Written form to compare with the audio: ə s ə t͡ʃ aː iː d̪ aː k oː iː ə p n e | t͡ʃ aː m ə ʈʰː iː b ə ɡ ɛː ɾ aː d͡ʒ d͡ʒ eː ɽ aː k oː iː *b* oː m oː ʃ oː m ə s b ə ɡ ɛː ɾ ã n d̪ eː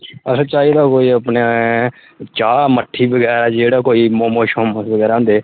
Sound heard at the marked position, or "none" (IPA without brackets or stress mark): m